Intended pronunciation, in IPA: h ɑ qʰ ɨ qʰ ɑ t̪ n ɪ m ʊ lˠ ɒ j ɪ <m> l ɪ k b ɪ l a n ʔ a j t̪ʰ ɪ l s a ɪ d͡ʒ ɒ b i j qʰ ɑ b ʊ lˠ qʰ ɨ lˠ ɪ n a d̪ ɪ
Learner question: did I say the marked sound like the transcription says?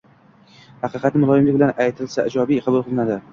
yes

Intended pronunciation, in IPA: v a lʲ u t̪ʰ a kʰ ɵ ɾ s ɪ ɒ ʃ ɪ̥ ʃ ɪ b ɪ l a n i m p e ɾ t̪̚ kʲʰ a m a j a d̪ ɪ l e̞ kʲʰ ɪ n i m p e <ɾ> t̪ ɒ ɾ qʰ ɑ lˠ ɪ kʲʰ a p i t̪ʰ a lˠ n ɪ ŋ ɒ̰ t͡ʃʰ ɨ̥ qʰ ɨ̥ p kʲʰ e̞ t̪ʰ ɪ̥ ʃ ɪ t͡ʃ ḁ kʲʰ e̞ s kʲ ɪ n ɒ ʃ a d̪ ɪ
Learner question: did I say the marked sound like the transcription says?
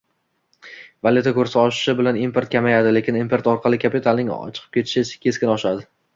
yes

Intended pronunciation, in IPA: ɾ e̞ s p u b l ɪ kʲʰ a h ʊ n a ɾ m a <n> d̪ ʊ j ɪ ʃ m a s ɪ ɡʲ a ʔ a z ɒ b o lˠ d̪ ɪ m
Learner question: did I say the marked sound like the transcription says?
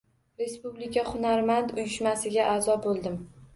yes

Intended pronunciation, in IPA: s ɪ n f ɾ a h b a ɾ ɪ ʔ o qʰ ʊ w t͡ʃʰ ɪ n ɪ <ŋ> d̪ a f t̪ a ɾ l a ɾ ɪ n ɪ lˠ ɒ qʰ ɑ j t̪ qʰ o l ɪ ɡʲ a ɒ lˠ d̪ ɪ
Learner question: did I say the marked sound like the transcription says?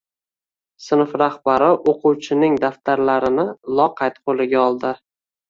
yes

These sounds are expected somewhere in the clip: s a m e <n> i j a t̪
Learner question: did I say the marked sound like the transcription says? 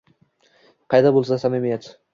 no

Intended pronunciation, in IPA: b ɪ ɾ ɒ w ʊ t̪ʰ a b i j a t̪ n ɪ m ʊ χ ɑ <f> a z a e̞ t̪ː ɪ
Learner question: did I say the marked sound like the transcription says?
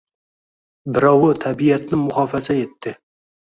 yes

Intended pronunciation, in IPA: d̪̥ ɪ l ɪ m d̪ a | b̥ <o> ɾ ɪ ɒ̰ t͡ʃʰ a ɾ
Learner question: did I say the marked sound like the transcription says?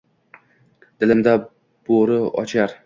yes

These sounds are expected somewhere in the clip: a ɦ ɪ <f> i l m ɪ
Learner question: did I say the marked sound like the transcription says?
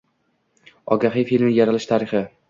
yes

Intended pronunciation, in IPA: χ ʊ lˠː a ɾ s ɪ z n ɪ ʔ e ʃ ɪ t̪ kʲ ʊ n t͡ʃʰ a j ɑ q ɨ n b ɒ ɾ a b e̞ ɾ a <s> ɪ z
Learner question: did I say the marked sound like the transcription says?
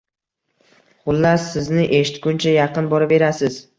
yes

